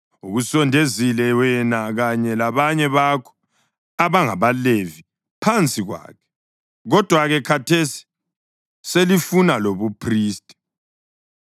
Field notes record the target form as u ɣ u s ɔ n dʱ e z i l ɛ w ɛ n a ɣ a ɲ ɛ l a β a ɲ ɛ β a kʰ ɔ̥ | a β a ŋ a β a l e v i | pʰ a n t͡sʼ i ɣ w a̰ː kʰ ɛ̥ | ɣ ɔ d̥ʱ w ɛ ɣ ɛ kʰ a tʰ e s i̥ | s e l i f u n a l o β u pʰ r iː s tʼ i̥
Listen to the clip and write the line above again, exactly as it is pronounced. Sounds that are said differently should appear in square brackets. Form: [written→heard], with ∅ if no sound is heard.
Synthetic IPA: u ɣ u s ɔ n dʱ e z i l ɛ w ɛ n a ɣ a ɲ ɛ l a β a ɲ ɛ β a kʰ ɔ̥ | a β a ŋ a β a l e v i | pʰ a n t͡sʼ i ɣ w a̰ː kʰ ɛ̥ | ɣ ɔ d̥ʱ w [ɛ→a] ɣ ɛ kʰ a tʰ e s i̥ | s e l i f u n a l o β u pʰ r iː s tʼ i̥